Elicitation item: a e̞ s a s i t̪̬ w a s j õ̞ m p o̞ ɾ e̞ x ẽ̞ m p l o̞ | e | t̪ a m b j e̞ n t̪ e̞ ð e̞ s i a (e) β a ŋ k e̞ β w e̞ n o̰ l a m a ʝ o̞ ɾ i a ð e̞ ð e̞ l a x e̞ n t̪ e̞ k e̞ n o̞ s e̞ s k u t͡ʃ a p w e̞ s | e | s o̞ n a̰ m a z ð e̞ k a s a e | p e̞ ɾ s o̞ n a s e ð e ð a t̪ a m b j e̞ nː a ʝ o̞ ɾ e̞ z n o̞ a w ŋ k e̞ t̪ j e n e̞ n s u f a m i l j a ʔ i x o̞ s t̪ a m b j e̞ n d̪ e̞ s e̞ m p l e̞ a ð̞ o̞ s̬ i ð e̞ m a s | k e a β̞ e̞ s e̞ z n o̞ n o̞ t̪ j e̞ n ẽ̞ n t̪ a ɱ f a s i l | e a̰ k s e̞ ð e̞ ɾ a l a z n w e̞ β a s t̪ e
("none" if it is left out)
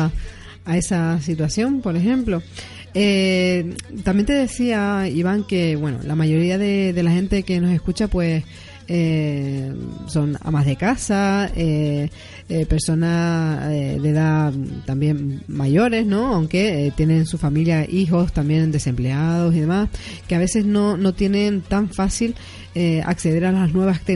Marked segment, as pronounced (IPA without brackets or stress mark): i